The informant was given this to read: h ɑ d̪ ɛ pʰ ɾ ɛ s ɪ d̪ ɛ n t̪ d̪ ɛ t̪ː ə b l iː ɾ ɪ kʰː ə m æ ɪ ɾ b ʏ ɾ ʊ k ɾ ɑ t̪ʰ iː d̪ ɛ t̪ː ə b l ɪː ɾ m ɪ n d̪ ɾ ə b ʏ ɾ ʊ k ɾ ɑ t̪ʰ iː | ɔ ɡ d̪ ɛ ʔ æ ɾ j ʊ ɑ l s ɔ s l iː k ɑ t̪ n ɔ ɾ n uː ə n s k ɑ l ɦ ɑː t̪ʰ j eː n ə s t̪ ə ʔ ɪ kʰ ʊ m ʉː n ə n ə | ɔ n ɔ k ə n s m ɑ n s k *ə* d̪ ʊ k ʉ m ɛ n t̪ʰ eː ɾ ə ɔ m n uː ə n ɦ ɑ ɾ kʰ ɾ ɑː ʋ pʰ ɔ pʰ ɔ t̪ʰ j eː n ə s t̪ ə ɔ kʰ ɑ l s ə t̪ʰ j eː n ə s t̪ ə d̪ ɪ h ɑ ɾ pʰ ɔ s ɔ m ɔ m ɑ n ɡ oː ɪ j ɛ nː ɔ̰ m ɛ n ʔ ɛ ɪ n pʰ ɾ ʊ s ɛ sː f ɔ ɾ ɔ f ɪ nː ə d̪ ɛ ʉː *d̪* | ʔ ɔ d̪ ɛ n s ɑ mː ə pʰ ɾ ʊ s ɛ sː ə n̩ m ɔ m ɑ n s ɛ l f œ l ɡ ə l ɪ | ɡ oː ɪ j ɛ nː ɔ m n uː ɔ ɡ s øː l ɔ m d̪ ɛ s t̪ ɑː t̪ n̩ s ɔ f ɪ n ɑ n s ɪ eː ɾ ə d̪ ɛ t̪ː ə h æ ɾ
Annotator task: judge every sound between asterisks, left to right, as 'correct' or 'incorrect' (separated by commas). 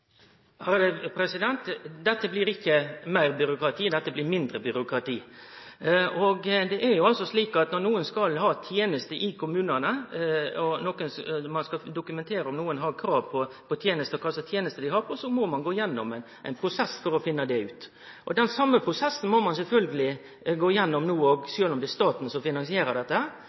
incorrect, incorrect